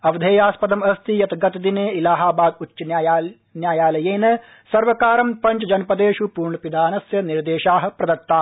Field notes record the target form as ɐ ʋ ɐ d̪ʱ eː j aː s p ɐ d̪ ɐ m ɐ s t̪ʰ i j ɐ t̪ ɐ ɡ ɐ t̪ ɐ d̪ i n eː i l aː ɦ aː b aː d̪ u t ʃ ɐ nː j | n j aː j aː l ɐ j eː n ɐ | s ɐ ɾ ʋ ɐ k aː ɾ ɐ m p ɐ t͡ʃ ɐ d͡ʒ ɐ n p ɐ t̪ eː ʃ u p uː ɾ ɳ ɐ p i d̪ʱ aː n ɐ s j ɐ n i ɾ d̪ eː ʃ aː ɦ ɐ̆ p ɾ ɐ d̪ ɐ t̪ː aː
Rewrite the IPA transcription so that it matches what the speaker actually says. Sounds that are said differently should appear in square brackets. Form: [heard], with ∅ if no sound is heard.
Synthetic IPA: ɐ ʋ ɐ d̪ʱ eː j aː s p ɐ d̪ ɐ m ɐ s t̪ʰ i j ɐ t̪ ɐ ɡ ɐ t̪ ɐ d̪ i n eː i l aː ɦ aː b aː d̪ u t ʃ ɐ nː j | n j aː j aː l ɐ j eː n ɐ | s ɐ ɾ ʋ ɐ k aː ɾ ɐ m p ɐ t͡ʃ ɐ d͡ʒ ɐ n p ɐ [d̪] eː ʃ u p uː ɾ ɳ ɐ p i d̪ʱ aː n ɐ s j ɐ n i ɾ d̪ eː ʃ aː ɦ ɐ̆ p ɾ ɐ d̪ ɐ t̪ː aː

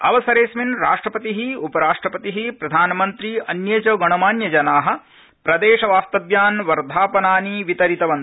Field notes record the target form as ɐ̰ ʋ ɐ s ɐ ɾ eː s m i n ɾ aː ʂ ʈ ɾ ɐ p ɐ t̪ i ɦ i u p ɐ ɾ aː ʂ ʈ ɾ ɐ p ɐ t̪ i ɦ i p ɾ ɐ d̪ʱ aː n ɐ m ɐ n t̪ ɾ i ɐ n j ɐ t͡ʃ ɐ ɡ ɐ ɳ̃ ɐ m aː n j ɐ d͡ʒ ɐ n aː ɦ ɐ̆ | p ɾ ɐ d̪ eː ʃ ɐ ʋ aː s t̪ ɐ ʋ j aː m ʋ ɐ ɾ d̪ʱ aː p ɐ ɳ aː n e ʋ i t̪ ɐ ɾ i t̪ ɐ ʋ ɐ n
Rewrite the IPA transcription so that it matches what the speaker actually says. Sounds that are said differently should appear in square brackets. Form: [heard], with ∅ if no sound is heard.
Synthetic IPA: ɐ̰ ʋ ɐ s ɐ ɾ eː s m i n ɾ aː ʂ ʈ ɾ ɐ p ɐ t̪ i ɦ i u p ɐ ɾ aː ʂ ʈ ɾ ɐ p ɐ t̪ i ɦ i p ɾ ɐ d̪ʱ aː n ɐ m ɐ n t̪ ɾ i ɐ n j ɐ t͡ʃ ɐ ɡ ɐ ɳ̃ ɐ m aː n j ɐ d͡ʒ ɐ n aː ɦ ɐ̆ | p ɾ ɐ d̪ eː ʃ ɐ ʋ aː s t̪ ɐ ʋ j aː [n] ʋ ɐ ɾ d̪ʱ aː p ɐ [n] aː n [i] ʋ i t̪ ɐ ɾ i t̪ ɐ ʋ ɐ n

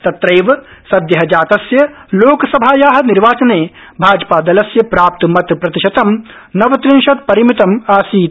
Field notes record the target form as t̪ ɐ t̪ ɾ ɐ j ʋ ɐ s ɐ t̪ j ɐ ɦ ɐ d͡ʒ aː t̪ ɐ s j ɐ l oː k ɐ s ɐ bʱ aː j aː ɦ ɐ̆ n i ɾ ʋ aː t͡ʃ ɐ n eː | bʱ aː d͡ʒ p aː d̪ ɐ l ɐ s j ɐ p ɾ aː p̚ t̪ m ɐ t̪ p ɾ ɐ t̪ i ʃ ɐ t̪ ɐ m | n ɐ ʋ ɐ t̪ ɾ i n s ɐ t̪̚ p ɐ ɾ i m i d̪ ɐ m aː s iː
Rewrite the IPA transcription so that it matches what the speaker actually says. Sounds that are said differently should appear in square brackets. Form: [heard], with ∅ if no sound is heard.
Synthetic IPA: t̪ ɐ t̪ ɾ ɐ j ʋ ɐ s ɐ [d̪] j ɐ ɦ ɐ d͡ʒ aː t̪ ɐ s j ɐ l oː k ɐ s ɐ bʱ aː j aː ɦ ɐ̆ n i ɾ ʋ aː t͡ʃ ɐ n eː | bʱ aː d͡ʒ p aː d̪ ɐ l ɐ s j ɐ p ɾ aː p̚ t̪ m ɐ t̪ p ɾ ɐ t̪ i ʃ ɐ t̪ ɐ m | n ɐ ʋ ɐ t̪ ɾ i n [ʃ] ɐ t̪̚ p ɐ ɾ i m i [t̪] ɐ m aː s iː

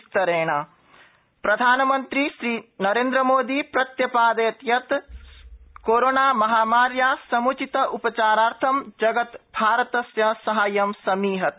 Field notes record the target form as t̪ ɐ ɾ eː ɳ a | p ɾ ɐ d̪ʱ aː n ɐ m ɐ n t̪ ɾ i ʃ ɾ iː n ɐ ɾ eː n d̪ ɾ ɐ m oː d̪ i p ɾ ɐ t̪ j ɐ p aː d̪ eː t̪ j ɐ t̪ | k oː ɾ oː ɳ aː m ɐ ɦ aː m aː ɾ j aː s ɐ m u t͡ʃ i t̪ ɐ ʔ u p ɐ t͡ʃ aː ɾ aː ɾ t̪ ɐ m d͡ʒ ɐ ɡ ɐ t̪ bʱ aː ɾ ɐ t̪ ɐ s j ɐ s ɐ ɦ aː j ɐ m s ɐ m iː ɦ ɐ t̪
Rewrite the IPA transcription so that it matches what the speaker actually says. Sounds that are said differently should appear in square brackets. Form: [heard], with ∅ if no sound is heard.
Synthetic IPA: t̪ ɐ ɾ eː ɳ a | p ɾ ɐ d̪ʱ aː n ɐ m ɐ n t̪ ɾ i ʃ ɾ iː n ɐ ɾ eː n d̪ ɾ ɐ m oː d̪ i p ɾ ɐ t̪ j ɐ p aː d̪ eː t̪ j ɐ t̪ | k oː ɾ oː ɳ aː m ɐ ɦ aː m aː ɾ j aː s ɐ m u t͡ʃ i t̪ ɐ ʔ u p ɐ t͡ʃ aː ɾ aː ɾ [t̪ʰ] ɐ m d͡ʒ ɐ ɡ ɐ t̪ bʱ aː ɾ ɐ t̪ ɐ s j ɐ s ɐ ɦ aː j ɐ m s ɐ m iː ɦ ɐ t̪

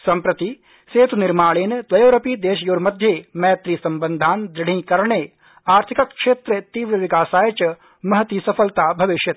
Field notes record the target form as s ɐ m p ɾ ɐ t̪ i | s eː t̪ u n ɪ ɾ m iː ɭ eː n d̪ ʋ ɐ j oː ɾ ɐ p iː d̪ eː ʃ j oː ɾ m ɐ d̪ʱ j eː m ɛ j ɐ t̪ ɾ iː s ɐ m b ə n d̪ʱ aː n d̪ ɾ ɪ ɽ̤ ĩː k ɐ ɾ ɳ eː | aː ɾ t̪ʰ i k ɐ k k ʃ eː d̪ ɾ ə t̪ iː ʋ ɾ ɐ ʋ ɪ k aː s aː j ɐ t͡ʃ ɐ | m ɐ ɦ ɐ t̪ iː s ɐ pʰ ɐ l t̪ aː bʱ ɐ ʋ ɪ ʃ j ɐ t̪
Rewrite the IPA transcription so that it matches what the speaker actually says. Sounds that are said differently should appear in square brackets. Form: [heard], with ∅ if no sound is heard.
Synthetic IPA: s ɐ m p ɾ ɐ t̪ i | s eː t̪ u n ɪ ɾ m [aː] ɭ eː n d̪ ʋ ɐ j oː ɾ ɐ p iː d̪ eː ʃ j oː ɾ m ɐ d̪ʱ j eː m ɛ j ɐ t̪ ɾ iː s ɐ m b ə n d̪ʱ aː n d̪ ɾ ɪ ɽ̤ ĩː k ɐ ɾ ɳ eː | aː ɾ t̪ʰ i k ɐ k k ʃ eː [t̪] ɾ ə t̪ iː ʋ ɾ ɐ ʋ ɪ k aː s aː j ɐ t͡ʃ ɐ | m ɐ ɦ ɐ t̪ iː s ɐ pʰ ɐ l t̪ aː bʱ ɐ ʋ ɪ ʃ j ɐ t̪

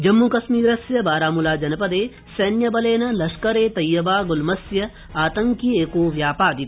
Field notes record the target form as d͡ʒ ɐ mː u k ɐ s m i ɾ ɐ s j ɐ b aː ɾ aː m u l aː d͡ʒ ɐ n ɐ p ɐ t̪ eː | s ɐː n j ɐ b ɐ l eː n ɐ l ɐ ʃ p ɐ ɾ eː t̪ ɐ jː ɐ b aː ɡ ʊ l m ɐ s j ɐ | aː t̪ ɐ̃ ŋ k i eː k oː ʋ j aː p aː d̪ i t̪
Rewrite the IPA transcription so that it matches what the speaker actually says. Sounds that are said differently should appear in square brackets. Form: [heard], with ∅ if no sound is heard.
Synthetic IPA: d͡ʒ ɐ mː u k ɐ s m [iː] ɾ ɐ s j ɐ b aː ɾ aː m u l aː d͡ʒ ɐ n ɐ p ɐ [d̪] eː | s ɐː n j ɐ b ɐ l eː n ɐ l ɐ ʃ [k] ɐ ɾ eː t̪ ɐ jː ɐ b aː ɡ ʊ l m ɐ s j ɐ | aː t̪ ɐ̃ ŋ k i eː k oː ʋ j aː p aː d̪ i t̪

